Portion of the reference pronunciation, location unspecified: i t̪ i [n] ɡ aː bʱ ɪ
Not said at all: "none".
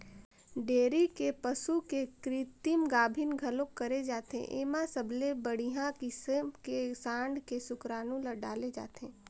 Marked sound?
m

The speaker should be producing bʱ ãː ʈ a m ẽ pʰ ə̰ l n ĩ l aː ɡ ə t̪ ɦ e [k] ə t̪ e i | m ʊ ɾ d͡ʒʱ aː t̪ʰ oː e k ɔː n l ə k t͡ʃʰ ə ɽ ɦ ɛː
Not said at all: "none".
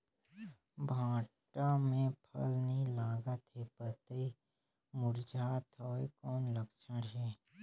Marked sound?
p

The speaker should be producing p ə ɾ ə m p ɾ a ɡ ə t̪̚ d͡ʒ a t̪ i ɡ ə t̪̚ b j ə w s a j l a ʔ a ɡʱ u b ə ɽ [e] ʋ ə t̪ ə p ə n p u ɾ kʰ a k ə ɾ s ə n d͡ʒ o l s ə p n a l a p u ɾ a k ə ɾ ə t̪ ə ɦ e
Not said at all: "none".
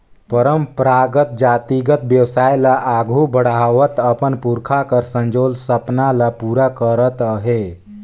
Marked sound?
a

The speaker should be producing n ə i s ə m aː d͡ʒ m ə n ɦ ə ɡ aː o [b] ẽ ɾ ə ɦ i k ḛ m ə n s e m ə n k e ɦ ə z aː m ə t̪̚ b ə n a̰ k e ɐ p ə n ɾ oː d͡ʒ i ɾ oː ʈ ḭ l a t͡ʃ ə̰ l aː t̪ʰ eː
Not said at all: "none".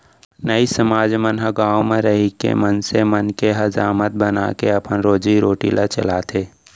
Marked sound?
m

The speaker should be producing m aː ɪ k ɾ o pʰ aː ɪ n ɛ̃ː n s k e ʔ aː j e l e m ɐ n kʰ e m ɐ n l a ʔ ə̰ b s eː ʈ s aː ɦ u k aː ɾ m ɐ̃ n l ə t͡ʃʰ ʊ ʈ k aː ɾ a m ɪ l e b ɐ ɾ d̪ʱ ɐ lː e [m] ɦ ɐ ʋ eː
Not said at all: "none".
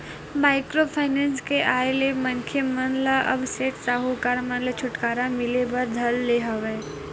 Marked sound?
none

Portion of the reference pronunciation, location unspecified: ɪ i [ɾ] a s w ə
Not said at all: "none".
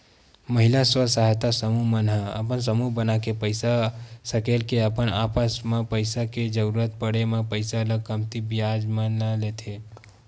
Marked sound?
l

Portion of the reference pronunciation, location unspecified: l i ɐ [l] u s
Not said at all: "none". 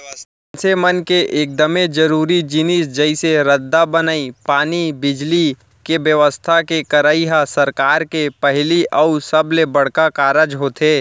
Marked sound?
none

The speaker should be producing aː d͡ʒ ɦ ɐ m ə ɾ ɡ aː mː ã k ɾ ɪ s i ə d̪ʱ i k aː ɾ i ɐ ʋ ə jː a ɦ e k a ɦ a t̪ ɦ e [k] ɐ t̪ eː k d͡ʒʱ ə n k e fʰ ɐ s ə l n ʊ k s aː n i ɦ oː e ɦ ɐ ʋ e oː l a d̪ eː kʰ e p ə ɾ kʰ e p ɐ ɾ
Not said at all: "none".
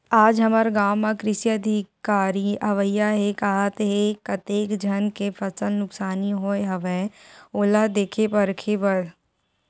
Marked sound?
k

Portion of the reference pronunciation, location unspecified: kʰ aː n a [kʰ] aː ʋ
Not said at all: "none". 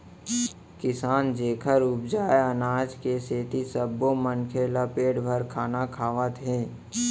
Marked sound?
kʰ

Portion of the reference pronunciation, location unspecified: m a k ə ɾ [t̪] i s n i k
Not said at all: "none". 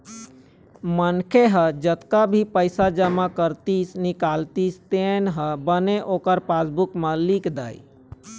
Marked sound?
t̪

